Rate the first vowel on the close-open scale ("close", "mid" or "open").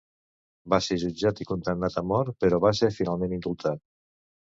open